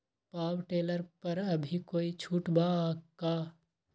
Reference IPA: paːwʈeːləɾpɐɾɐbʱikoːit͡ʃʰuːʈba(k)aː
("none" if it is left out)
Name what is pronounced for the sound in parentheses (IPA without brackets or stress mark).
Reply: k